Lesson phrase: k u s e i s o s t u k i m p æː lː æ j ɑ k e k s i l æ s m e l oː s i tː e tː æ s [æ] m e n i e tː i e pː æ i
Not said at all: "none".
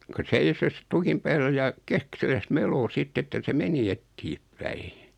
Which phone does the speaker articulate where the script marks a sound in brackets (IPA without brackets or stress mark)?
e